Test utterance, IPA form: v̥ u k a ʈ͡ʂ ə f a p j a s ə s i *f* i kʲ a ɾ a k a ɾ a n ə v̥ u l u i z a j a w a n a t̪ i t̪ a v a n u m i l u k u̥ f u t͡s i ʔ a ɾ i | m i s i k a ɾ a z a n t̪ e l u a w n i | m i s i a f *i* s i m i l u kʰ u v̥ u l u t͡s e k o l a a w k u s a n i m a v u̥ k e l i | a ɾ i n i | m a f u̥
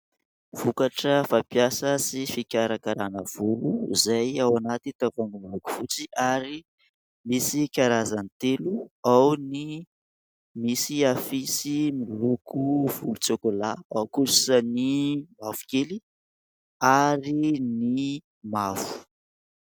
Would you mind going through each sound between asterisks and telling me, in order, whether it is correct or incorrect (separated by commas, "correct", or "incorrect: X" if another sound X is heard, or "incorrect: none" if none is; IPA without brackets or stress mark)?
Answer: correct, correct